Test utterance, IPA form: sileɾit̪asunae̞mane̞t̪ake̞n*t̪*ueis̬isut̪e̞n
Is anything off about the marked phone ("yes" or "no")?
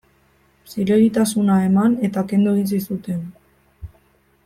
yes